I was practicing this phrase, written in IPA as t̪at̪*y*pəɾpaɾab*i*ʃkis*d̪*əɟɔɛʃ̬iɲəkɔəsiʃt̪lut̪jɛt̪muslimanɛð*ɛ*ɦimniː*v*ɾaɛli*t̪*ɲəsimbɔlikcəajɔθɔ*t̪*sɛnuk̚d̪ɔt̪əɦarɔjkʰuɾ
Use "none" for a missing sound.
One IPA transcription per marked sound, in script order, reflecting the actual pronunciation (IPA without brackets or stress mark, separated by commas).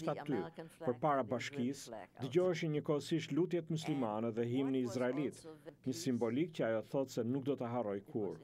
y, a, d̪, ɛ, z, t̪, t̪